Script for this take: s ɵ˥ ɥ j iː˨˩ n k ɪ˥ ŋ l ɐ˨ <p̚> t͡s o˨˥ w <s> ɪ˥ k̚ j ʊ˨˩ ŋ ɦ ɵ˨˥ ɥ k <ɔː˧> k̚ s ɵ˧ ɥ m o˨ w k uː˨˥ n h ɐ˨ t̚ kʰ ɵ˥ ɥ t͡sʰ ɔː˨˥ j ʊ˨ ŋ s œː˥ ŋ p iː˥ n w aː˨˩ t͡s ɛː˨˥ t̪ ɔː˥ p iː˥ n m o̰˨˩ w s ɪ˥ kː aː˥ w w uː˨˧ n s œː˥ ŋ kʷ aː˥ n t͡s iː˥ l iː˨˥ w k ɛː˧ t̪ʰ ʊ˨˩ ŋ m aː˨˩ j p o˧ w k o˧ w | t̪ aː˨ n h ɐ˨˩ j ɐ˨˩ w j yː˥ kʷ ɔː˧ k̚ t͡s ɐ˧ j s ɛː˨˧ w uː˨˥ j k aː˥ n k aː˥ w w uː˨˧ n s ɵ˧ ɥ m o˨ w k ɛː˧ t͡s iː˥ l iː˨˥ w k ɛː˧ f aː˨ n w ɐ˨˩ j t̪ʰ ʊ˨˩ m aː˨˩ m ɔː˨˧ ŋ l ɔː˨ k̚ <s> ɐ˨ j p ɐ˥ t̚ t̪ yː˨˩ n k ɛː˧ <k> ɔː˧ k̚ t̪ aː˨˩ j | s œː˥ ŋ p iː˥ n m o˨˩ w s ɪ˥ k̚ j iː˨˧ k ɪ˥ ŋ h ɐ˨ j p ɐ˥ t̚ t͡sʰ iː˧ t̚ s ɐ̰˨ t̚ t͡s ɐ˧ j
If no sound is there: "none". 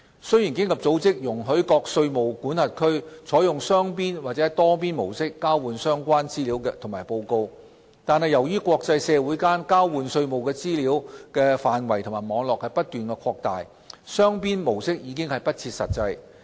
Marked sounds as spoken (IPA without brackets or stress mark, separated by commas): p̚, t͡s, ɔː˧, h, kʰ